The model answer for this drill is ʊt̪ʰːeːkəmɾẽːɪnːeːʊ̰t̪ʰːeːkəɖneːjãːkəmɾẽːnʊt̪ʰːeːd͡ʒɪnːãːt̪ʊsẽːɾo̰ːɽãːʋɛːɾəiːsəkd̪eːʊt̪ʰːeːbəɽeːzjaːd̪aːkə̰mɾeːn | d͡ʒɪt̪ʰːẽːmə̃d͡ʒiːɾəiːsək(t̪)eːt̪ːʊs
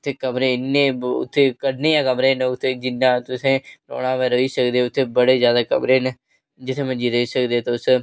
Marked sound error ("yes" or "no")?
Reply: yes